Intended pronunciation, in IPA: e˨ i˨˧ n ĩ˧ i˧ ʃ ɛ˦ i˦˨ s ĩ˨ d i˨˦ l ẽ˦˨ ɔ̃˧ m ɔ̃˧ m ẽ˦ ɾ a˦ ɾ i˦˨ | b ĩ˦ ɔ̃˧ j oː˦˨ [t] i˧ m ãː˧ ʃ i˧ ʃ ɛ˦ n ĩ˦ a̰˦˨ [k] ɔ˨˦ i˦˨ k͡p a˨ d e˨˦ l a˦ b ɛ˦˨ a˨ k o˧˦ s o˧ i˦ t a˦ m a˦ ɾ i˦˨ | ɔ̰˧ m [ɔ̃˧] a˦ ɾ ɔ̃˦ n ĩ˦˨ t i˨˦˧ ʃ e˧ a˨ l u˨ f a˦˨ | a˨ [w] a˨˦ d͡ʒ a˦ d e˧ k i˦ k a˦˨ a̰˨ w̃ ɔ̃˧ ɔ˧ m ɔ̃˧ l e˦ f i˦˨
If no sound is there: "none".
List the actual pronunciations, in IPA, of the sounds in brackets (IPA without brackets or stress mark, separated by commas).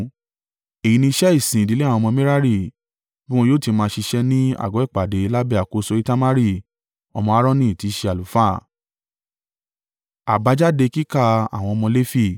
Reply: t, ɡ, ɔ̃˧, b